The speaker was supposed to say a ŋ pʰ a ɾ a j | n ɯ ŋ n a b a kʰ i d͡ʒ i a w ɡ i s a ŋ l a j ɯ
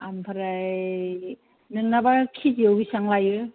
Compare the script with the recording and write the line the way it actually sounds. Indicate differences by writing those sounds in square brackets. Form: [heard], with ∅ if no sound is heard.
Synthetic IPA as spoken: a [m] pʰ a ɾ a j | n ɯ ŋ n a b a kʰ i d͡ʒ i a w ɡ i s a ŋ l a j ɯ